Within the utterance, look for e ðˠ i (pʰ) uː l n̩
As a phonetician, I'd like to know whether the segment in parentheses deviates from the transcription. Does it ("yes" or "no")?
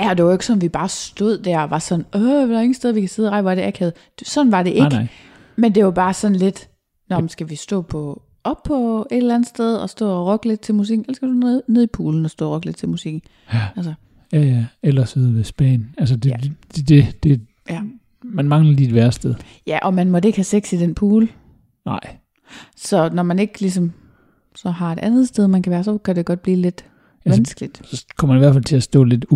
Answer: no